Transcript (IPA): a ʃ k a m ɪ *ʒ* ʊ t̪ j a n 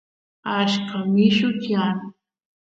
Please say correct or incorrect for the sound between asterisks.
incorrect